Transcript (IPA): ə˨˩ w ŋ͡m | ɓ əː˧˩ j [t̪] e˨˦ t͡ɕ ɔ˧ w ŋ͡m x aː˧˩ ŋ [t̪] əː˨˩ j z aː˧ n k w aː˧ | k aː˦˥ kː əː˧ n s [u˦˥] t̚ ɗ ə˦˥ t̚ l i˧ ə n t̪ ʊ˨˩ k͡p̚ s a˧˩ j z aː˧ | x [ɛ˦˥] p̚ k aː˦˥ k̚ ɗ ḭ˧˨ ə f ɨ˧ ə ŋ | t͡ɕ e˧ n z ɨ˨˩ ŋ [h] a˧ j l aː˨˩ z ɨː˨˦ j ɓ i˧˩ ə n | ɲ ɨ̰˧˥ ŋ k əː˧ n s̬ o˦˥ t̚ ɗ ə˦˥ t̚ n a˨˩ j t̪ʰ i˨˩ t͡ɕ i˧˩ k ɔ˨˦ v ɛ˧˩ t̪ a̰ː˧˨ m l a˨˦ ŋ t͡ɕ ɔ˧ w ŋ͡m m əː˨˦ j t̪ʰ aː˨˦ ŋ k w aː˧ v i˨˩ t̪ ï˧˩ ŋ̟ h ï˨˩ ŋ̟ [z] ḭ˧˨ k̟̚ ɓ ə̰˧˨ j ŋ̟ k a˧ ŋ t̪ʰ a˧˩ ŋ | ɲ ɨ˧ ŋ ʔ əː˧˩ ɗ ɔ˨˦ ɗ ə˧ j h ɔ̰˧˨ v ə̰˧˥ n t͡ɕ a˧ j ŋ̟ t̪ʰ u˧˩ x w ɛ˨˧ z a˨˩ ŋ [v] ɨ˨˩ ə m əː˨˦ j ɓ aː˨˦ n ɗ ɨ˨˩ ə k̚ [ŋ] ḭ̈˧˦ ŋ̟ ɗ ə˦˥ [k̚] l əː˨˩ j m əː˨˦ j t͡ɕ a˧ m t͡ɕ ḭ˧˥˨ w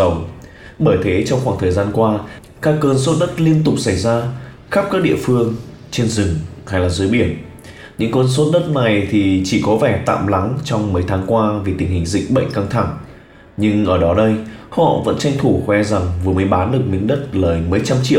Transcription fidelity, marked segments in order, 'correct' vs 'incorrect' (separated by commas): incorrect, incorrect, incorrect, incorrect, correct, correct, correct, incorrect, incorrect